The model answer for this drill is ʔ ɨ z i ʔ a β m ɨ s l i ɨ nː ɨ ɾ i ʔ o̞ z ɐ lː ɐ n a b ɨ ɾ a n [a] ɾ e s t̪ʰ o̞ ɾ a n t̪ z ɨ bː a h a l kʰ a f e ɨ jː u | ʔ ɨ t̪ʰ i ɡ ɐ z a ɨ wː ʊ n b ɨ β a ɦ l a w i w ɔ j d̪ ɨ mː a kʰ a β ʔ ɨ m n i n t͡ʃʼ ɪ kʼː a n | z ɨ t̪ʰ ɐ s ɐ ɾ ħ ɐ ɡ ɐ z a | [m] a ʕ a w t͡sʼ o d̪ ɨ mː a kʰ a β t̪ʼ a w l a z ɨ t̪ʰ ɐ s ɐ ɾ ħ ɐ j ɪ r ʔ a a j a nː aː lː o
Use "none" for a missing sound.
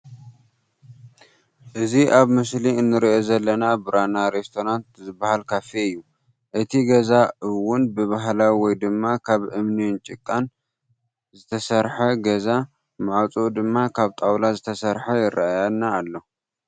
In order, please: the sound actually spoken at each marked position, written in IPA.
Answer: a, m

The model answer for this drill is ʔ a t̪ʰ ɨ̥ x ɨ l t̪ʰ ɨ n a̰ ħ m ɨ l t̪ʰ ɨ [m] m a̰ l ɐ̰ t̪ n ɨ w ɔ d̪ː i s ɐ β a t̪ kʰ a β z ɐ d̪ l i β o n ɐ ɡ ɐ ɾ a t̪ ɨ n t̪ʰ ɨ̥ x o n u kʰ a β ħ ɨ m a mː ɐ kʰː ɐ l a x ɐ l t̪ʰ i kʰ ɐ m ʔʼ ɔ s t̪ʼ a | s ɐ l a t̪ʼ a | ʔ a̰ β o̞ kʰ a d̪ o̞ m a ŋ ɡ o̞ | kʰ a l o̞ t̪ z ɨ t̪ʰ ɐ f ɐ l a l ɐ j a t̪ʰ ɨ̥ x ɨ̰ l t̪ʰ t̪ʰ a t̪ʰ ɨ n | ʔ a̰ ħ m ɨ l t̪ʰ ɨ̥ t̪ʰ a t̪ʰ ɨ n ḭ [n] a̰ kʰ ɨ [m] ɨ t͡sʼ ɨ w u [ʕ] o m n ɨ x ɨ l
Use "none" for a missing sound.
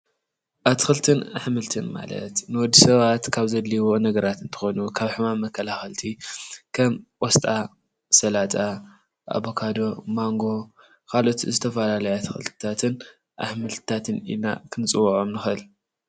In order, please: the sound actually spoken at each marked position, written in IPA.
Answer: n, n, n, ʕ

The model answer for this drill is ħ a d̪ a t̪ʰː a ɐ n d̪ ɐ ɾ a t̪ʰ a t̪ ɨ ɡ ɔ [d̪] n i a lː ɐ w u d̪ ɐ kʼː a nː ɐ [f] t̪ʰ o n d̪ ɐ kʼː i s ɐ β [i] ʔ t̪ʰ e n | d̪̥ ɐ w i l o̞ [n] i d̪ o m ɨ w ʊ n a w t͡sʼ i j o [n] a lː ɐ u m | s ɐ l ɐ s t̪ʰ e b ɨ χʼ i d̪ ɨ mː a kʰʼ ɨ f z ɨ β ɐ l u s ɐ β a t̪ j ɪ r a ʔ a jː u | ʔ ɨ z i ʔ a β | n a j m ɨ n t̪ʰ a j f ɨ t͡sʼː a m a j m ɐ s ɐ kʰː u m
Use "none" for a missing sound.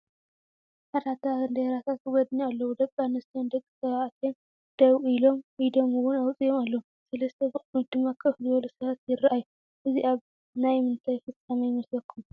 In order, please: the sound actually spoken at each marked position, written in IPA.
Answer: d̪, s, a, m, m

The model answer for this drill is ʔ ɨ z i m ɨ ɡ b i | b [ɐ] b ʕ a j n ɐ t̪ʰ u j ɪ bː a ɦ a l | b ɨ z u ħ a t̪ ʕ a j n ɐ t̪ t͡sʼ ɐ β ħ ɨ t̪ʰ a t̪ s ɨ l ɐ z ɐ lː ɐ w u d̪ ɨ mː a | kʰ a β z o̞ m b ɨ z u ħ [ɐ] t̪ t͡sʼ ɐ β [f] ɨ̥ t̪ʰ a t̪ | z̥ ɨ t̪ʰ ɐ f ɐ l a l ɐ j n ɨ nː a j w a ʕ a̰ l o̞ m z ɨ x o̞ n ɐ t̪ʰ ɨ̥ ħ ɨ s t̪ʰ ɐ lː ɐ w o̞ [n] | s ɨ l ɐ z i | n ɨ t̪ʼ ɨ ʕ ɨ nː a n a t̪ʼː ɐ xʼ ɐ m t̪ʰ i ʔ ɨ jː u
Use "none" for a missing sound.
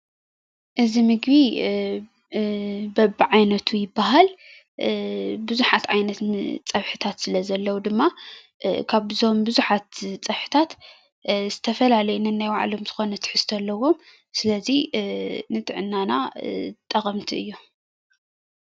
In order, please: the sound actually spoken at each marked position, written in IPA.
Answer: ɐ, a, ħ, m

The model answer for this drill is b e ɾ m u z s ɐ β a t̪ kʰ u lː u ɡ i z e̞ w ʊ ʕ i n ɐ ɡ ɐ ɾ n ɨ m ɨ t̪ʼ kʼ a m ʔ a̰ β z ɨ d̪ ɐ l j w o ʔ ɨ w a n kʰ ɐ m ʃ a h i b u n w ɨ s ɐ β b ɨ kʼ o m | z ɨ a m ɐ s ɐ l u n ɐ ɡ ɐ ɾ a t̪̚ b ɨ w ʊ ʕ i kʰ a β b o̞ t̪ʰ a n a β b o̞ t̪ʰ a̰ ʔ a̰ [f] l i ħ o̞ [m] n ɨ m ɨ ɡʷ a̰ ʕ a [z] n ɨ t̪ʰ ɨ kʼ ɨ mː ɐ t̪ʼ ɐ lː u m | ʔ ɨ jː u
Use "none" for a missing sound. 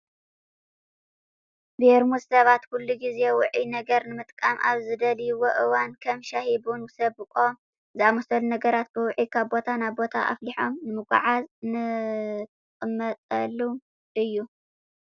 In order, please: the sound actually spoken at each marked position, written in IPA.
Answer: f, m, z

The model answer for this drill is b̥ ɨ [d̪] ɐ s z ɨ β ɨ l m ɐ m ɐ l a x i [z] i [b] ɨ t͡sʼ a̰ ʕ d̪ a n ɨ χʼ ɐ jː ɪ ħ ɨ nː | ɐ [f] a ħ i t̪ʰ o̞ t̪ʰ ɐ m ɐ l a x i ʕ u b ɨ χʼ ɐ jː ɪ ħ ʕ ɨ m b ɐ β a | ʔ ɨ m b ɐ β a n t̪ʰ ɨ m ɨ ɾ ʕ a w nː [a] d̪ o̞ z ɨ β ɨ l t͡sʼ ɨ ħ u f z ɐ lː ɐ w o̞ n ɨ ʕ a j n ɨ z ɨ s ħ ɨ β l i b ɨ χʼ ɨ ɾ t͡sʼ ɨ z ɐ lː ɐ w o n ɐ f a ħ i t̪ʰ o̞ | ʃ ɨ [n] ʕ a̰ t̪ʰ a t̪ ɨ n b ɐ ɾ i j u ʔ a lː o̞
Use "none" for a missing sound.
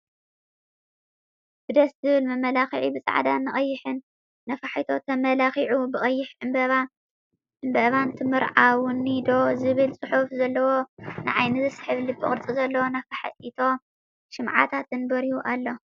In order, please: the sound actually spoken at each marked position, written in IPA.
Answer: d̪, ʕ, b, f, i, m

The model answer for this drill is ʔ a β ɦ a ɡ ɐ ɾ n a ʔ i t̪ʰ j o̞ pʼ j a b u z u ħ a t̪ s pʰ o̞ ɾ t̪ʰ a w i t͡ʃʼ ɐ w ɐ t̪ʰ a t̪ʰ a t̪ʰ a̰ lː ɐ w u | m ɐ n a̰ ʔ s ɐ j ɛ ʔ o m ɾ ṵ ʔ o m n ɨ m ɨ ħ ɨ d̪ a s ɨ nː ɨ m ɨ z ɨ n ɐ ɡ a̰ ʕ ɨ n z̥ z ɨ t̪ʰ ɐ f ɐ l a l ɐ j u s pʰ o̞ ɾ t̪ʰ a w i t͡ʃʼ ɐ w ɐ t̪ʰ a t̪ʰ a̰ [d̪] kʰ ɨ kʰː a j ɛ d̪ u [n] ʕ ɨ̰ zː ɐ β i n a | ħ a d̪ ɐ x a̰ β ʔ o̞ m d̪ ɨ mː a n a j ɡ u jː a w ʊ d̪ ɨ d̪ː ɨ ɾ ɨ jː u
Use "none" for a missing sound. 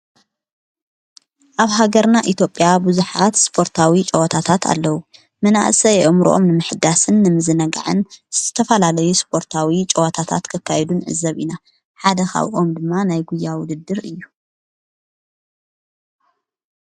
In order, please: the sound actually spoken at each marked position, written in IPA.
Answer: t̪, n

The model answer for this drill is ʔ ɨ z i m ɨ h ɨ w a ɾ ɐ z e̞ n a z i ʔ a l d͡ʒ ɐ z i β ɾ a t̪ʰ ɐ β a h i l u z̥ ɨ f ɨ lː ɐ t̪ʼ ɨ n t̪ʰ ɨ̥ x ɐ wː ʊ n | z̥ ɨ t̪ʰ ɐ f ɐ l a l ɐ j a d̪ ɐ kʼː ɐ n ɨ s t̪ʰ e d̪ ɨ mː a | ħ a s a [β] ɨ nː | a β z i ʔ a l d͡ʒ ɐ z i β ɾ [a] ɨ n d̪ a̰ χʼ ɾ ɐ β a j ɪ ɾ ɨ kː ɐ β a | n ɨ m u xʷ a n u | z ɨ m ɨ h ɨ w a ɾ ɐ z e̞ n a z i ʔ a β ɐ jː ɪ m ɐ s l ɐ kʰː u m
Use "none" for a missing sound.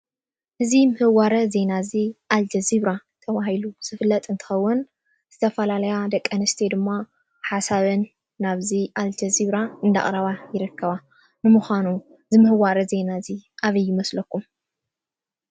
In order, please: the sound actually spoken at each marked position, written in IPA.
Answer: β, a

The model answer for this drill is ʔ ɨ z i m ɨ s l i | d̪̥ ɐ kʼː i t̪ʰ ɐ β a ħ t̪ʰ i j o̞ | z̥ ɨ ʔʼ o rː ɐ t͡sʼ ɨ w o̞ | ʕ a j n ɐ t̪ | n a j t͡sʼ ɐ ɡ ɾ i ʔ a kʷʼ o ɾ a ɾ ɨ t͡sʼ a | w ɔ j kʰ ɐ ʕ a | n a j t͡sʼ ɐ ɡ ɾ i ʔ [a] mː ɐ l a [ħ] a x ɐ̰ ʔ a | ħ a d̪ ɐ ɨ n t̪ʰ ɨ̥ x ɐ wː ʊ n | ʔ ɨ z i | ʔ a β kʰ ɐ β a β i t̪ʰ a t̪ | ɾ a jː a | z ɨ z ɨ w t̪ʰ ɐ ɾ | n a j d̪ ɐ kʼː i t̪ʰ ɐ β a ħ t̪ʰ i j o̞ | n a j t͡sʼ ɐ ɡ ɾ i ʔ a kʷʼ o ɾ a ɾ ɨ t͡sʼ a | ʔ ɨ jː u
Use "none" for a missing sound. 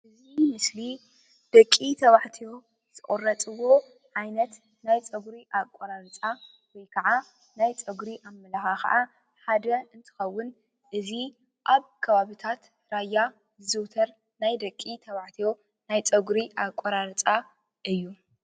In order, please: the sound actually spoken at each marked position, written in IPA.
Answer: a, x

